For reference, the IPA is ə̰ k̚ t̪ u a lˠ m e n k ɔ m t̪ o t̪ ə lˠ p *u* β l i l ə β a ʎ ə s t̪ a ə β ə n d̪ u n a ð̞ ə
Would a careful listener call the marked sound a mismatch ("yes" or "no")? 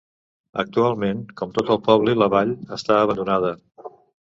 yes